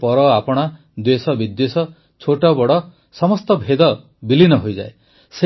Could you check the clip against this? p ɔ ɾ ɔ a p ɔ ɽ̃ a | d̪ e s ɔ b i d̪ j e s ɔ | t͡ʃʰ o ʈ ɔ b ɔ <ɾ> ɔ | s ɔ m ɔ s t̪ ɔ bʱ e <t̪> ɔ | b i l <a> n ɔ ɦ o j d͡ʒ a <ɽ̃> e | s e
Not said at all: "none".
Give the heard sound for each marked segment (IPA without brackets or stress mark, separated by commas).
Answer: ɽ, d̪, i, none